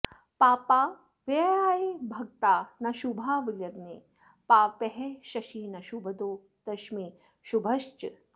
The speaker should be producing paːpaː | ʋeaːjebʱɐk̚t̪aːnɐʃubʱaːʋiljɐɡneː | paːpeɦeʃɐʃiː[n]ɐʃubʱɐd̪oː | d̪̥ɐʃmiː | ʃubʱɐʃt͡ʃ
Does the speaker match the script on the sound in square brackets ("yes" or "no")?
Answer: yes